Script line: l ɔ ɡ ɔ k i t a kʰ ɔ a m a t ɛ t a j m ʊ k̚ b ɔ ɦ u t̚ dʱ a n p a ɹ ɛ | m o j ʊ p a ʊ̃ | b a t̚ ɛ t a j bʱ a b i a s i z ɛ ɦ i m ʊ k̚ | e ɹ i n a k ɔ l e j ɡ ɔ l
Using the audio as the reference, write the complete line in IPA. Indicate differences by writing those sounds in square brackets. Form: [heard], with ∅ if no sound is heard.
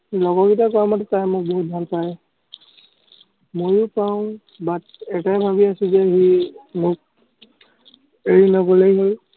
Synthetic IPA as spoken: l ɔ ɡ ɔ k i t a [k] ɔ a m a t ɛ t a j m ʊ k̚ b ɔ ɦ u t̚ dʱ a n p a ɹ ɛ | m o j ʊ p a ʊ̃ | b a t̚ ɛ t a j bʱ a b i a s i z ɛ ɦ i m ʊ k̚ | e ɹ i n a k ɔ l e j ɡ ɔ l